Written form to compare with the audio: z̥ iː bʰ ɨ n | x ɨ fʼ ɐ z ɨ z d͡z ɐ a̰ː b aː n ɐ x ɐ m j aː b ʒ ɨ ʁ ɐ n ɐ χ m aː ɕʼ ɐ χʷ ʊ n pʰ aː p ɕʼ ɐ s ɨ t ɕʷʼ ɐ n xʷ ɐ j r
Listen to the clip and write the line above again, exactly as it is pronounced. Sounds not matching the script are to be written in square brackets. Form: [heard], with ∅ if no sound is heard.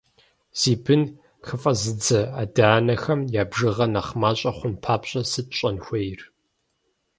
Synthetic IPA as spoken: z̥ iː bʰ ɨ n | x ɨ fʼ ɐ z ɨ [∅] d͡z ɐ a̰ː [d] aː n ɐ x ɐ m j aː b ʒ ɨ ʁ ɐ n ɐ χ m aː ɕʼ ɐ χʷ ʊ n pʰ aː p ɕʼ ɐ s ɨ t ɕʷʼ ɐ n xʷ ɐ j r